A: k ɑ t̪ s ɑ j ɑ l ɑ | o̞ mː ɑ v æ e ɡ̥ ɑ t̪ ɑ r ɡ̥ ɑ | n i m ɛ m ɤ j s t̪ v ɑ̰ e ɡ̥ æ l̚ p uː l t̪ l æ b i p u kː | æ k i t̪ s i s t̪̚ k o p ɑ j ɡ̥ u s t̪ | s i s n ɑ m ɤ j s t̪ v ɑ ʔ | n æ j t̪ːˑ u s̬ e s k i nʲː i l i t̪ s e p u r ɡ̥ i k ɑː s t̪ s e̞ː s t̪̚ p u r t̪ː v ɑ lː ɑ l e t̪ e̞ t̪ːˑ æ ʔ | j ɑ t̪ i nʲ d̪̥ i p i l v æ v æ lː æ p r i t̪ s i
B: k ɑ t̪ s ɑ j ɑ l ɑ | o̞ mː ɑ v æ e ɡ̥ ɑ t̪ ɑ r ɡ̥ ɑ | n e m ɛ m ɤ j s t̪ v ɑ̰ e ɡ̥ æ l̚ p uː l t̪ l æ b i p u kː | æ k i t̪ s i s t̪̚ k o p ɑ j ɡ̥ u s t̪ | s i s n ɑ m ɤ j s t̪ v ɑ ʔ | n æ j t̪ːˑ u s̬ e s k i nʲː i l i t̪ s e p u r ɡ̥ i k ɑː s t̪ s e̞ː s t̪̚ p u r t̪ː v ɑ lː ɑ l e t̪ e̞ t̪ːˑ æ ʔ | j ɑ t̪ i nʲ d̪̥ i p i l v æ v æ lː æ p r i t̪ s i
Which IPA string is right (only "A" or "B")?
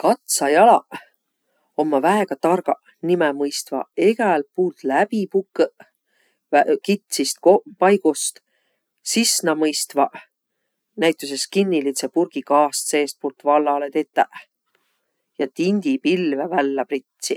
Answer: A